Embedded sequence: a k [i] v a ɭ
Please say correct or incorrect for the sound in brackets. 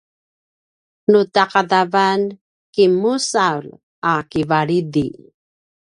correct